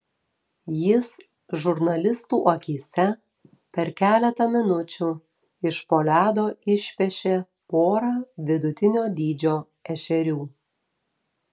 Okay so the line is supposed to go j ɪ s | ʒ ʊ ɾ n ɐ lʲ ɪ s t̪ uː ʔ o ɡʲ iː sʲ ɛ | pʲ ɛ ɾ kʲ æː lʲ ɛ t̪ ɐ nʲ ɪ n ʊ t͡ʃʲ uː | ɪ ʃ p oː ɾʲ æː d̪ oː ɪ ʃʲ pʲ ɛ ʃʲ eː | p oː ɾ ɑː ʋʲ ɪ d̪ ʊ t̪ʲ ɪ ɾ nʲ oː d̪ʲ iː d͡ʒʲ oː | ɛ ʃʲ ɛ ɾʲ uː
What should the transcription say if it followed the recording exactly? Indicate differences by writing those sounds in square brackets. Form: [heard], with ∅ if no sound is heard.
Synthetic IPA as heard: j ɪ s | ʒ ʊ ɾ n ɐ lʲ ɪ s t̪ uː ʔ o [kʲ] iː sʲ ɛ | pʲ ɛ ɾ kʲ æː lʲ ɛ t̪ ɐ [mʲ] ɪ n ʊ t͡ʃʲ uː | ɪ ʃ p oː [lʲ] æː d̪ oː ɪ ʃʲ pʲ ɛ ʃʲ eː | p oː ɾ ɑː ʋʲ ɪ d̪ ʊ t̪ʲ ɪ [∅] nʲ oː d̪ʲ iː d͡ʒʲ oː | ɛ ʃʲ ɛ ɾʲ uː